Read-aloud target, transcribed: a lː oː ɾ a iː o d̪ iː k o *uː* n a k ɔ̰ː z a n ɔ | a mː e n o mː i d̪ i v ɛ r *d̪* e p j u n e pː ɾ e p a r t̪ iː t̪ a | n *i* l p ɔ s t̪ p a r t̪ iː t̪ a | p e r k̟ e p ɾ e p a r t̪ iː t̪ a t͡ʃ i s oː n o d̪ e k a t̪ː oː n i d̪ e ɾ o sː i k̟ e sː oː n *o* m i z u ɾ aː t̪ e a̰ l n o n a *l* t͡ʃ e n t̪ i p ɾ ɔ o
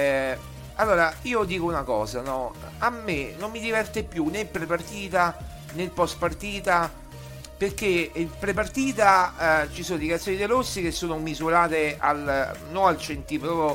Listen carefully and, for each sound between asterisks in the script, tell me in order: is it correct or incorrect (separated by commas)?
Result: incorrect, incorrect, incorrect, correct, correct